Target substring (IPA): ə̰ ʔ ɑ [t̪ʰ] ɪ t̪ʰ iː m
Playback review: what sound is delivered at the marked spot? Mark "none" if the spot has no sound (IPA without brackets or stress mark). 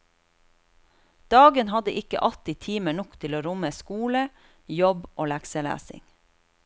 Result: t̪